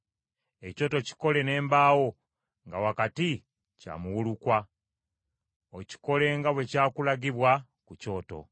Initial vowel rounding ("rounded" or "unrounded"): unrounded